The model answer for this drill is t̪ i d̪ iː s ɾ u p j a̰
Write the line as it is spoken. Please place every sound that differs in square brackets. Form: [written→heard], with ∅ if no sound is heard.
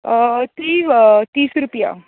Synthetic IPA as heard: t̪ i [d̪→t̪] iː s ɾ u p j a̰

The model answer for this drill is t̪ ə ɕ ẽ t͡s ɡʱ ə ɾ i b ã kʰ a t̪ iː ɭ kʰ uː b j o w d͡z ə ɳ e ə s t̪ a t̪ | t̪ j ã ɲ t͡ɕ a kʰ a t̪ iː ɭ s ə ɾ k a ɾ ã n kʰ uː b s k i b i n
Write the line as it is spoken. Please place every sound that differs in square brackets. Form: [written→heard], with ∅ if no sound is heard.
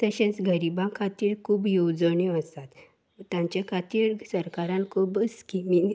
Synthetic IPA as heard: t̪ ə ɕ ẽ t͡s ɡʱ ə ɾ i b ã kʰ a t̪ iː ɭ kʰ uː b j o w d͡z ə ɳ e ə s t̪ a t̪ | t̪ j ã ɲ t͡ɕ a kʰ a t̪ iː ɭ s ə ɾ k a ɾ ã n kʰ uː b s k i [b→m] i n

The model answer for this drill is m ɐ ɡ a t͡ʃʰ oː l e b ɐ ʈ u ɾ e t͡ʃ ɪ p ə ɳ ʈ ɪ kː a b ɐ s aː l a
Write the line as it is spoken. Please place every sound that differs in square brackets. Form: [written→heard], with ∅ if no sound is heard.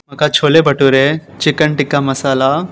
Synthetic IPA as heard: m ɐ [ɡ→k] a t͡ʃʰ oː l e b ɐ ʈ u ɾ e t͡ʃ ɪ [p→k] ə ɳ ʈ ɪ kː a [b→m] ɐ s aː l a

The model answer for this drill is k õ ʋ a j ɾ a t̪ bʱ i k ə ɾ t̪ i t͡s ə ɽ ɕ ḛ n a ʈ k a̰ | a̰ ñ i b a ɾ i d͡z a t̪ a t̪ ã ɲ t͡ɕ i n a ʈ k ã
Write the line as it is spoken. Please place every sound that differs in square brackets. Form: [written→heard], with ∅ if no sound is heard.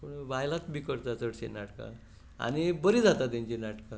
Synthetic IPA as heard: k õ ʋ a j [ɾ→l] a t̪ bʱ i k ə ɾ t̪ [i→a] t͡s ə ɽ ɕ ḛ n a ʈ k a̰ | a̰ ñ i b [a→ə] ɾ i d͡z a t̪ a t̪ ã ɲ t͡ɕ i n a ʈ k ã

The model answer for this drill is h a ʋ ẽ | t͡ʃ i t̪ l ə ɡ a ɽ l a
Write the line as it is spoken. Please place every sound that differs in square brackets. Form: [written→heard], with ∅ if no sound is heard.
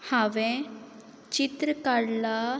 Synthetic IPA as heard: h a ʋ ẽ | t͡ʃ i t̪ [l→ɾ] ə [ɡ→k] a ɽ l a

